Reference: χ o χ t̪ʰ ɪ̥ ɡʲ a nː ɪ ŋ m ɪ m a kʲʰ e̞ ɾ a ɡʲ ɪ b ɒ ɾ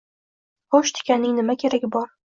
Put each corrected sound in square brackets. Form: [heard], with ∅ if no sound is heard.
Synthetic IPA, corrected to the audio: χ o [ʃ] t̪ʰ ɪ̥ [kʲ] a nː ɪ ŋ [n] ɪ m a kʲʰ e̞ ɾ a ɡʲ ɪ b ɒ ɾ